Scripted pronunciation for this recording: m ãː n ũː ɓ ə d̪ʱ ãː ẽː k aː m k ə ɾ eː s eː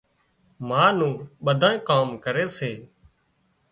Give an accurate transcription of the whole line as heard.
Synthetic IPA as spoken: m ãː n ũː ɓ ə d̪ʱ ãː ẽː k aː m k ə ɾ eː s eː